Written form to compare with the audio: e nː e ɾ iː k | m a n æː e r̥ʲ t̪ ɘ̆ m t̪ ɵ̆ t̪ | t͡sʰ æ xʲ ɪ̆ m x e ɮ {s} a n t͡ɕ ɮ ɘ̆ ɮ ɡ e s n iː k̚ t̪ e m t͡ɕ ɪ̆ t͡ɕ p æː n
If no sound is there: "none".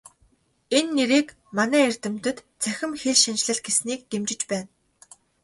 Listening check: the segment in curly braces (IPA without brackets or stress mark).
ʃ